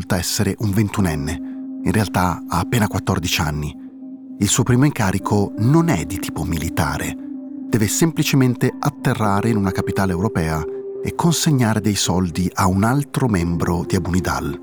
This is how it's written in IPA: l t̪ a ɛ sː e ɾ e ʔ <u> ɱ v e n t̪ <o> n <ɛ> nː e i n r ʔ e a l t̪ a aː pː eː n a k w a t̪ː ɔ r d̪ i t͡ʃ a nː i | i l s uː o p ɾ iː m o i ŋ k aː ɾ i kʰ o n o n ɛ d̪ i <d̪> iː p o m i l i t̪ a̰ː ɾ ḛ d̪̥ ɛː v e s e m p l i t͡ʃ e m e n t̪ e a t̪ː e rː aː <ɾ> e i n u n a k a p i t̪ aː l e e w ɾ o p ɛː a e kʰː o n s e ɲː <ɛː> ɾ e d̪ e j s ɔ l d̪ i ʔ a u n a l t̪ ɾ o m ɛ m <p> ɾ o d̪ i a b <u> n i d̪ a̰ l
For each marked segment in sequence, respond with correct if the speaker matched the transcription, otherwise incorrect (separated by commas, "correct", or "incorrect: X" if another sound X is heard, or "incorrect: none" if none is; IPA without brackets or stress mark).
correct, incorrect: u, correct, incorrect: t̪, correct, incorrect: aː, incorrect: b, correct